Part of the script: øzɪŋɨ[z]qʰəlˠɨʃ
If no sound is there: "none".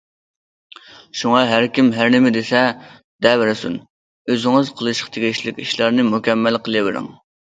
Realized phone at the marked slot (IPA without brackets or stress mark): z